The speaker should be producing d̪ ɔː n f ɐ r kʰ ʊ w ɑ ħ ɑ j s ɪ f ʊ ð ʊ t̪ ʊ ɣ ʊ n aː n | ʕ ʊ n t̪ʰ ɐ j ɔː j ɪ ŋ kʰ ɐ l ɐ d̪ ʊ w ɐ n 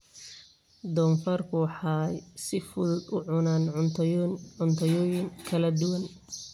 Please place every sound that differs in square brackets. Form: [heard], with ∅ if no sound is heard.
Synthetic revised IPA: d̪ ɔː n f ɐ r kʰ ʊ w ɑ ħ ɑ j s ɪ f ʊ ð ʊ [d̪] ʊ [ʕ] ʊ n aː n | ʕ ʊ n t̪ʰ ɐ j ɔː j ɪ ŋ kʰ ɐ l ɐ d̪ ʊ w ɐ n